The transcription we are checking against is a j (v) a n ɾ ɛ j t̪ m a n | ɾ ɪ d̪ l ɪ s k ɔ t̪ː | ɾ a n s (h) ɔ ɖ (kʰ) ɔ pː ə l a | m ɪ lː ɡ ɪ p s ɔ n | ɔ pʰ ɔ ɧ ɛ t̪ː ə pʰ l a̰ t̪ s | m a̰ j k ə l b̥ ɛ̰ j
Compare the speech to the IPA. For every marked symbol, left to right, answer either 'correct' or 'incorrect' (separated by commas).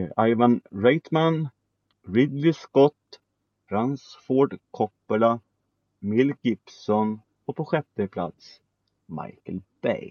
correct, incorrect, correct